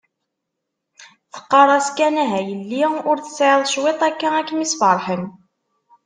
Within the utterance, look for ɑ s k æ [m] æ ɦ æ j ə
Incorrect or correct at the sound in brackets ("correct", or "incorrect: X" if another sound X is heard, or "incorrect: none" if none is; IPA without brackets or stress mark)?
incorrect: n